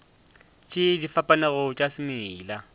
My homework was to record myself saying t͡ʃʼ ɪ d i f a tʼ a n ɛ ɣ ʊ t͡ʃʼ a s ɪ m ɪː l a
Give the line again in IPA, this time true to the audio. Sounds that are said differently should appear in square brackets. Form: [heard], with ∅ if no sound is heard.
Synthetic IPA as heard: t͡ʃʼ ɪ d i f a [pʼ] a n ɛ ɣ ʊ t͡ʃʼ a s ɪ m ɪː l a